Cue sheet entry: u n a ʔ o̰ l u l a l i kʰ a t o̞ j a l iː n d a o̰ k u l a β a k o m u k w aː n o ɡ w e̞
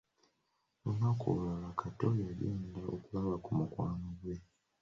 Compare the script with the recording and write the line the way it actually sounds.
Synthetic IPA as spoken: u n a k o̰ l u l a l a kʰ a t o̞ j a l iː n d a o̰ k u l a β a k u m u k w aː n o ɡ w e̞